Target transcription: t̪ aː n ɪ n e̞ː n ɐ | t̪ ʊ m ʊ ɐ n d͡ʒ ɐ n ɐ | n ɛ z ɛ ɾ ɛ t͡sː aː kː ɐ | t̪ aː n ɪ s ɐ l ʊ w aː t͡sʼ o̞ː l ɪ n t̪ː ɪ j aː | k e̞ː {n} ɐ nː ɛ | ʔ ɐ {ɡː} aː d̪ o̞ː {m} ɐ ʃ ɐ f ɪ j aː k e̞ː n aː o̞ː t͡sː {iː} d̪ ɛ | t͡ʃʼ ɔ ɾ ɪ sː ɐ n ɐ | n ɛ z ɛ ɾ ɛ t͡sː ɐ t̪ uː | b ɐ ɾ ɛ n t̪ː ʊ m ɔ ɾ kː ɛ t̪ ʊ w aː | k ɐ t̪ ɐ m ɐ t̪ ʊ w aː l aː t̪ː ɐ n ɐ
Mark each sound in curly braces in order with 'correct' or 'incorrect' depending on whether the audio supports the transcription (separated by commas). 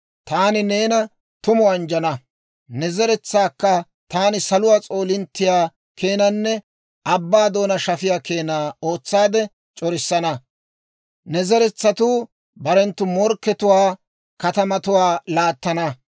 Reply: correct, incorrect, incorrect, incorrect